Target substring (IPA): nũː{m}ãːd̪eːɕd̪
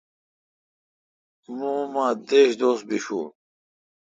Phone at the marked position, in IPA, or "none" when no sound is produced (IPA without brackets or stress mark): m